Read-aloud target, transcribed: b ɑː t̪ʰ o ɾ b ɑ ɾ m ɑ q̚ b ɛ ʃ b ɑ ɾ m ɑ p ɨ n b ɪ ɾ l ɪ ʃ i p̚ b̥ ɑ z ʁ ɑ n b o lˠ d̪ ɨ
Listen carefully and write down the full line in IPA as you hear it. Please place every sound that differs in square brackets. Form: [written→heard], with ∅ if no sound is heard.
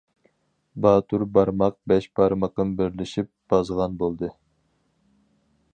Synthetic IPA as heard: b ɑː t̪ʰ [o→u] ɾ b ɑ ɾ m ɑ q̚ b ɛ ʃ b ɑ ɾ m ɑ [p→q] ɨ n b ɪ ɾ l ɪ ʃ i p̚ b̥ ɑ z ʁ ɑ n b o lˠ d̪ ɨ

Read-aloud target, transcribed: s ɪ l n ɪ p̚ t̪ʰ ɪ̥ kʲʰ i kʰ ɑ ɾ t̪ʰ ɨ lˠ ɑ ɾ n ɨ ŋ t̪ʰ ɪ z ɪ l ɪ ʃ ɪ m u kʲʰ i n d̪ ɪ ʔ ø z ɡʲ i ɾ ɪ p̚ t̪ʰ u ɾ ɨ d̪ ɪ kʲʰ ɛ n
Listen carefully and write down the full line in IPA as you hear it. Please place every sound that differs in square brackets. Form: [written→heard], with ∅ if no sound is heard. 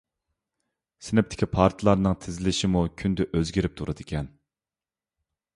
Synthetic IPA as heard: s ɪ [l→∅] n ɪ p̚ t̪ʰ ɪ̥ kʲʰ i [kʰ→pʰ] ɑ ɾ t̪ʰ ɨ lˠ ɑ ɾ n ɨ ŋ t̪ʰ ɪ z ɪ l ɪ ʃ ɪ m u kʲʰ [i→y] n d̪ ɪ ʔ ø z ɡʲ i ɾ ɪ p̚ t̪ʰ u ɾ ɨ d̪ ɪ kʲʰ ɛ n

